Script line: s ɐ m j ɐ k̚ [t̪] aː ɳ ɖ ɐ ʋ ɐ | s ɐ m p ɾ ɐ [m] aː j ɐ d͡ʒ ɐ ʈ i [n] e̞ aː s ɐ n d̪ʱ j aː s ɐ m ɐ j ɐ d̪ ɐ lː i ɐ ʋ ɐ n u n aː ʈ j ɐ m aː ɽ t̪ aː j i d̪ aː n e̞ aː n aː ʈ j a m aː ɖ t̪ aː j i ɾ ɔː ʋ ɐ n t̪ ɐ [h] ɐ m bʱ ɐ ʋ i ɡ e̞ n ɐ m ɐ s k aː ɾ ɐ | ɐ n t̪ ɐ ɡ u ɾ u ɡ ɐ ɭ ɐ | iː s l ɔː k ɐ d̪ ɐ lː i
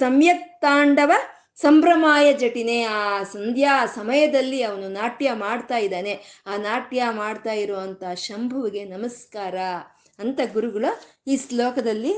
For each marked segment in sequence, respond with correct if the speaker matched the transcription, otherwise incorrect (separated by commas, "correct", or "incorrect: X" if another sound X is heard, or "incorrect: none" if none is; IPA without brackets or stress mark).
correct, correct, correct, incorrect: ʃ